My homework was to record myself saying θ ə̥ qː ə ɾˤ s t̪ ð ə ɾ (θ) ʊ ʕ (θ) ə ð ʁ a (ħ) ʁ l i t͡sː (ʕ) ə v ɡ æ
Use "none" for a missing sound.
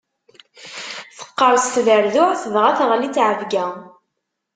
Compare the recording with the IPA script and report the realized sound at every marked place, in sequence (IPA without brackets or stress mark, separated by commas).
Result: ð, θ, θ, ʕ